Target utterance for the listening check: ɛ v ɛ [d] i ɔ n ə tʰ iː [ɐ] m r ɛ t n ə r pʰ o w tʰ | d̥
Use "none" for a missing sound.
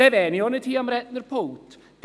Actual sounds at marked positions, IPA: n, a

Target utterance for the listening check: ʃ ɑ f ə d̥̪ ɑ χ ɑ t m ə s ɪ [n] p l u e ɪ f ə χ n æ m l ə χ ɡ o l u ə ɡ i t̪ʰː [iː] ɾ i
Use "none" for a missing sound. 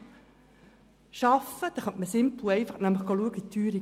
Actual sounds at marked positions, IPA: m, yː

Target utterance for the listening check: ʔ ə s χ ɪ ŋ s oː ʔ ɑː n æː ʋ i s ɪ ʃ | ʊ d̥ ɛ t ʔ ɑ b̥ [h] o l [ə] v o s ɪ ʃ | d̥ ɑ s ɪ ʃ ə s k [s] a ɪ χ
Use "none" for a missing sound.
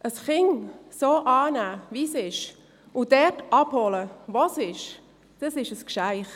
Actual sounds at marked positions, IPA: h, ə, ʃ

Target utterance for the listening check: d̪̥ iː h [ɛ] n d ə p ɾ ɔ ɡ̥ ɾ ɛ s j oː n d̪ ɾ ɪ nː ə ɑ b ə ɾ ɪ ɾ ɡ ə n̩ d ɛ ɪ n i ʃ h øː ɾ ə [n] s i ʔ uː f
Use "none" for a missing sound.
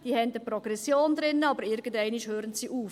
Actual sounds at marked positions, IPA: ɛ, n

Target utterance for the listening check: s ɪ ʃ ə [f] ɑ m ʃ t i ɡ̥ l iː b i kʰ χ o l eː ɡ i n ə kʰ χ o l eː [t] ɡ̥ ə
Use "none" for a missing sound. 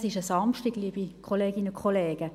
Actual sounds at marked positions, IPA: s, none

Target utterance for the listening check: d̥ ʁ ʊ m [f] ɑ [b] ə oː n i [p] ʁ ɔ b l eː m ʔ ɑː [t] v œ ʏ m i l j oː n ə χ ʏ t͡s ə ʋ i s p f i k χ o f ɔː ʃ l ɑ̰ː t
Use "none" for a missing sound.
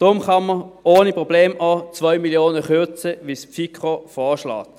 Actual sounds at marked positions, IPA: χ, m, p, t͡s

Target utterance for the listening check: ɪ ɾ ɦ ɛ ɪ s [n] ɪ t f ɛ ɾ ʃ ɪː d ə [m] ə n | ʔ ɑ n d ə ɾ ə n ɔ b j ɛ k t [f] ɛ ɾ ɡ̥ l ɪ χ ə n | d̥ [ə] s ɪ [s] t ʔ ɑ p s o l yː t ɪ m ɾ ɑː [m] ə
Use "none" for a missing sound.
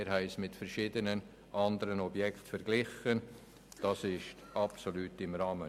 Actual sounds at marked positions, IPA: m, n, f, ɑ, ʃ, m

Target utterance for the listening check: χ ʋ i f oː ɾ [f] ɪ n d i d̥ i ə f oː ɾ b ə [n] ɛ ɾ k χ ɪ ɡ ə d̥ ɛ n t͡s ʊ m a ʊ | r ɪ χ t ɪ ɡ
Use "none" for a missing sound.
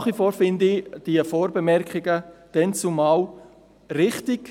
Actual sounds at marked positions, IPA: f, m

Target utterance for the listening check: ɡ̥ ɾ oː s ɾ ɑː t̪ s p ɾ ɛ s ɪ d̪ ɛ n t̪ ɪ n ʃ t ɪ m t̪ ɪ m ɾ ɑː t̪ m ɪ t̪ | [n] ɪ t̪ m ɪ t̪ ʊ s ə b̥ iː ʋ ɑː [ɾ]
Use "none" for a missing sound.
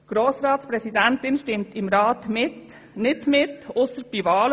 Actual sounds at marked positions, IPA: n, l

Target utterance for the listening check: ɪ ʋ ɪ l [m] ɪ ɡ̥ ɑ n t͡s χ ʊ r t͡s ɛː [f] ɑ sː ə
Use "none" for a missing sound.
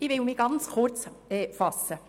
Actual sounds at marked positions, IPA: m, f

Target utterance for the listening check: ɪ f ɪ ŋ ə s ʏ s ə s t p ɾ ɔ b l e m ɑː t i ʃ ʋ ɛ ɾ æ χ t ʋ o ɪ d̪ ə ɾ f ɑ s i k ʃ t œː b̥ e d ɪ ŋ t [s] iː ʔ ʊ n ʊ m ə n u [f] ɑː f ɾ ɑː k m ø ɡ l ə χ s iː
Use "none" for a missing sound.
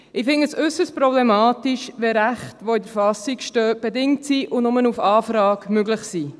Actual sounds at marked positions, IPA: s, f

